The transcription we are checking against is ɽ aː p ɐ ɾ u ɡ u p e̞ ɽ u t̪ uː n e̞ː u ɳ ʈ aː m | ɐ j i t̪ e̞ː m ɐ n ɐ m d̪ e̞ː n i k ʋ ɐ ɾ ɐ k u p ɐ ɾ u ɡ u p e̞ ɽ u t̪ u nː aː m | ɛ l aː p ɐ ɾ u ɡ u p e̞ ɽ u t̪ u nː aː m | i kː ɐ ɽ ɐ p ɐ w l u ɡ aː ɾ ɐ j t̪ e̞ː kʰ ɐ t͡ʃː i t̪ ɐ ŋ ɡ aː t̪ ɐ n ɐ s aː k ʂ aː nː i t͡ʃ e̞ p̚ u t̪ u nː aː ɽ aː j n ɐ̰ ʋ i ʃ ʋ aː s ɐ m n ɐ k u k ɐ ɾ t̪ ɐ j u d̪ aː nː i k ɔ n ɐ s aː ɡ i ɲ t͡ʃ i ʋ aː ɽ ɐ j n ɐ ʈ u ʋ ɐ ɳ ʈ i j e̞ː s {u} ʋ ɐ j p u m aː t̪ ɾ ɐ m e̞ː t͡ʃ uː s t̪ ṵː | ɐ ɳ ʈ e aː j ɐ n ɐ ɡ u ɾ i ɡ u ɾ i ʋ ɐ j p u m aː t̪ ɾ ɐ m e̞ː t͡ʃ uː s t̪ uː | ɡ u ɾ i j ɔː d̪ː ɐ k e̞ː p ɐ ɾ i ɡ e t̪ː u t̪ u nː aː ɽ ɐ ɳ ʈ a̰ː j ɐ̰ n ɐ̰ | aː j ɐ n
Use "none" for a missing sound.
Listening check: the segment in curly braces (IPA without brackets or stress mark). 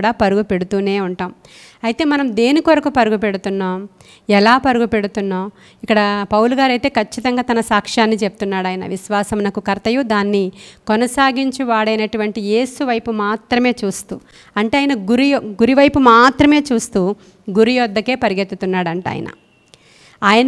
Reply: u